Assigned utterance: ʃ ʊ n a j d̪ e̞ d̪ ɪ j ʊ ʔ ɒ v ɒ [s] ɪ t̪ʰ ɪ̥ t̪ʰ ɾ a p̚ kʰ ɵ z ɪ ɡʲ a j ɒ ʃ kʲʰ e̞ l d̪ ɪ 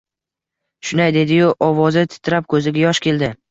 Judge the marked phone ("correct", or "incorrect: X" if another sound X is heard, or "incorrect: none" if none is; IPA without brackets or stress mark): incorrect: z